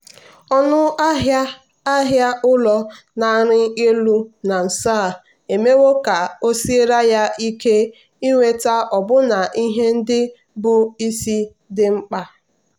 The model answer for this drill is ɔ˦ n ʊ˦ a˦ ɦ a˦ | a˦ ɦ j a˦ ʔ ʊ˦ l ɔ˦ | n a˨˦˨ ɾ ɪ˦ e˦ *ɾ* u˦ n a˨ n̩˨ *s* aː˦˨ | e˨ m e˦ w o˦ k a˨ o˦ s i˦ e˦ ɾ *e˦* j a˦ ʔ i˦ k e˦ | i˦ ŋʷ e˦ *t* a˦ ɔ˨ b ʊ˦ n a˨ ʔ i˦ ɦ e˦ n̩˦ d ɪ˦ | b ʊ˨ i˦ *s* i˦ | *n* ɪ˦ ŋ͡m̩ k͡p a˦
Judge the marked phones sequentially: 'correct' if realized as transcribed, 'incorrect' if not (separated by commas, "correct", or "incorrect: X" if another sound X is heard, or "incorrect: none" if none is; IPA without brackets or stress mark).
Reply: incorrect: l, correct, incorrect: a˦, correct, correct, incorrect: d